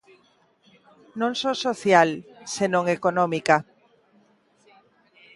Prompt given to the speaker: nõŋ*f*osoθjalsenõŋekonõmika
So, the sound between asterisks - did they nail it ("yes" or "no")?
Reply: no